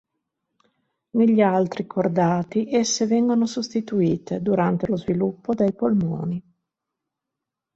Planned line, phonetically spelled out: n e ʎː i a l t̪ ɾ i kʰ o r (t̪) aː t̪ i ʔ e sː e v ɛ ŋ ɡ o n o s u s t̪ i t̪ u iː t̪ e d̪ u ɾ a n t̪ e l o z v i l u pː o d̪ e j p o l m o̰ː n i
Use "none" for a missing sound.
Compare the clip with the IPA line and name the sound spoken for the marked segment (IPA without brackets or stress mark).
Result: d̪